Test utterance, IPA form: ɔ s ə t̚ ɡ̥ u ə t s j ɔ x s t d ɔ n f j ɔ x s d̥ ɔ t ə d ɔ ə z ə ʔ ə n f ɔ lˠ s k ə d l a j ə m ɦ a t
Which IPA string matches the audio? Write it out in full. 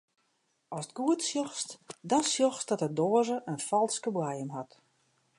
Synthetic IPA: ɔ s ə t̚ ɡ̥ u ə t s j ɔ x s t d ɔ n s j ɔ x s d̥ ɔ t ə d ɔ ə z ə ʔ ə n f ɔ lˠ s k ə b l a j ə m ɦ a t